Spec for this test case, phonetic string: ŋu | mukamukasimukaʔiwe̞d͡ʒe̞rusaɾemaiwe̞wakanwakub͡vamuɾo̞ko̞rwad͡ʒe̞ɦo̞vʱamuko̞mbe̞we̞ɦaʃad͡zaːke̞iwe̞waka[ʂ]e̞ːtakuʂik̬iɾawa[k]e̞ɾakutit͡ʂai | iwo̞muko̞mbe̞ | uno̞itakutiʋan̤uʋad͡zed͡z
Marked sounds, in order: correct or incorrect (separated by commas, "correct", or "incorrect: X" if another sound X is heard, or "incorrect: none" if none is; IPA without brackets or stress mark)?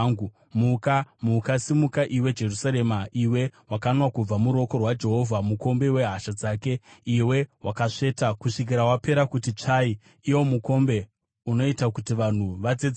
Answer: correct, incorrect: p